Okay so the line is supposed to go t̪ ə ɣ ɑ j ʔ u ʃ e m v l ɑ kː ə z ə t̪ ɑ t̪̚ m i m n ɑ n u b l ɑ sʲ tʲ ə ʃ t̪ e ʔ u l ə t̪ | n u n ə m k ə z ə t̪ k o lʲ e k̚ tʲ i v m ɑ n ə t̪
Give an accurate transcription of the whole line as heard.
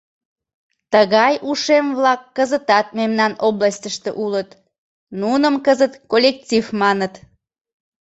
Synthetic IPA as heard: t̪ ə ɣ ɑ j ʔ u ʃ e m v l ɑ kː ə z ə t̪ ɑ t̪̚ m e m n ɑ n o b l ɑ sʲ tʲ ə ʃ t̪ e ʔ u l ə t̪ | n u n ə m k ə z ə t̪ k o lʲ e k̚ tʲ i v m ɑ n ə t̪